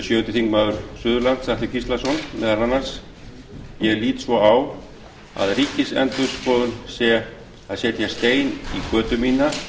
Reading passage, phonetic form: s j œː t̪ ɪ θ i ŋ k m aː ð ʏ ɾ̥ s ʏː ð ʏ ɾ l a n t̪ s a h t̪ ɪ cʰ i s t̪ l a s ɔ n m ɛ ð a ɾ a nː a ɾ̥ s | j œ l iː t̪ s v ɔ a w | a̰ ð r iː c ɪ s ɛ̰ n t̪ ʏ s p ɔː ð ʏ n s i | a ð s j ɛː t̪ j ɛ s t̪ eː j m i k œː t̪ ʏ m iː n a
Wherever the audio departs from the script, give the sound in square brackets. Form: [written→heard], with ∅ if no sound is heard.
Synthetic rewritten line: s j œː t̪ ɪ θ i ŋ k m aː ð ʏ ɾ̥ s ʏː ð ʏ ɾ l a n t̪ s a h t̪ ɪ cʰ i s t̪ l a s ɔ n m ɛ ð a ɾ a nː a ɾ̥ s | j [œ→ɛ] l iː t̪ s v ɔ a w | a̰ ð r iː c ɪ s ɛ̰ n t̪ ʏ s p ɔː ð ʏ n s [i→ɛ] | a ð s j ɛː t̪ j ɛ s t̪ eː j [m→n] i k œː t̪ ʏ m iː n a